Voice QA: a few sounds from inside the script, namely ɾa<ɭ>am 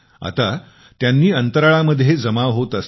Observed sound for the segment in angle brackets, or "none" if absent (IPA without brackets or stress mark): ɭ